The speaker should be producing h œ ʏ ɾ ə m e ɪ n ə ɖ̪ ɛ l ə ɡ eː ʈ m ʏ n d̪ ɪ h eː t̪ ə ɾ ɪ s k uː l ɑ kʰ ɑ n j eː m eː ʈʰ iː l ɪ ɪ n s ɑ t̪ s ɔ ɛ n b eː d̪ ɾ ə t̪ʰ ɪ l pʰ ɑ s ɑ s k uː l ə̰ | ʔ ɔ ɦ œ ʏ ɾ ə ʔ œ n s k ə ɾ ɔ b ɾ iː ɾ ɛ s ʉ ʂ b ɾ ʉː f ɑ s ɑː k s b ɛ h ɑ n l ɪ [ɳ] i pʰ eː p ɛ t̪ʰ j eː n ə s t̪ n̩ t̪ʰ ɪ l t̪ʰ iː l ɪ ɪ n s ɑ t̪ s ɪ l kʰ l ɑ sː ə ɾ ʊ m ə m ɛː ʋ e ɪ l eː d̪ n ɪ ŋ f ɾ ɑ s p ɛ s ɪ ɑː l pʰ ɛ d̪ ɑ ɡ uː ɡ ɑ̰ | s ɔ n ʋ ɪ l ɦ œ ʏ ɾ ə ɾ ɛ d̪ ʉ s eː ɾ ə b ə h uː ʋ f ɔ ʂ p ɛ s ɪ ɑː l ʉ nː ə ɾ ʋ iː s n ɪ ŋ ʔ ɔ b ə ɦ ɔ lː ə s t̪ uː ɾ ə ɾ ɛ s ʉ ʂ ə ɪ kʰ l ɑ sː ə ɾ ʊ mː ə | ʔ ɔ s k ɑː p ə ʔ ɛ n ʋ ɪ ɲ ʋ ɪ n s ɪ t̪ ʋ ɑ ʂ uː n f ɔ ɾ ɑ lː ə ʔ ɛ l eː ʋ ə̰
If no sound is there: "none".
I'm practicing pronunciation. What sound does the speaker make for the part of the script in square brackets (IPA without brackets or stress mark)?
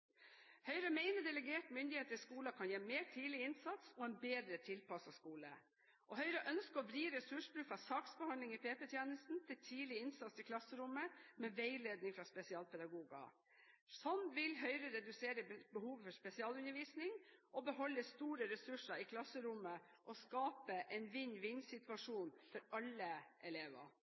ŋ